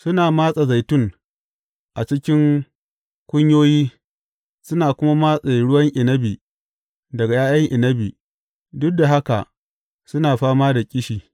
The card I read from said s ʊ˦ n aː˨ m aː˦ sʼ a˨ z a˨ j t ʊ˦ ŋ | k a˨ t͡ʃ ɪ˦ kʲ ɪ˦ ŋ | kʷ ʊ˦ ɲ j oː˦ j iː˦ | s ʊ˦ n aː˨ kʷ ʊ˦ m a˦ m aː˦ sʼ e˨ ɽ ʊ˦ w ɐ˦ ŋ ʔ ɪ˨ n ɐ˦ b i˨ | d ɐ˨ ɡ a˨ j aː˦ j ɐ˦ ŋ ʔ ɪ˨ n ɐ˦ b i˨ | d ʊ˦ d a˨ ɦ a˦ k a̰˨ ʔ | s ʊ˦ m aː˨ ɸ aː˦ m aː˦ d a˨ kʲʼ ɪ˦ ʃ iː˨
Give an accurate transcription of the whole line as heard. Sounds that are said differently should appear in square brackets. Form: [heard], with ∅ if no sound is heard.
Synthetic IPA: s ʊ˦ n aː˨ m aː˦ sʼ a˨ z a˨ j t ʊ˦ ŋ | [ʔ] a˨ t͡ʃ ɪ˦ kʲ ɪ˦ ŋ | kʷ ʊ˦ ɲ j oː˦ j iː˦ | s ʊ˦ n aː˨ kʷ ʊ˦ m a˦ m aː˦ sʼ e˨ ɽ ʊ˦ w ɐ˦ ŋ ʔ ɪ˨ n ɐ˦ b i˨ | d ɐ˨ ɡ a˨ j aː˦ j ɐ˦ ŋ ʔ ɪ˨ n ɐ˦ b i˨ | d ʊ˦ d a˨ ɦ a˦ k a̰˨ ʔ | s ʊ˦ [n] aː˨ ɸ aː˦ m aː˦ d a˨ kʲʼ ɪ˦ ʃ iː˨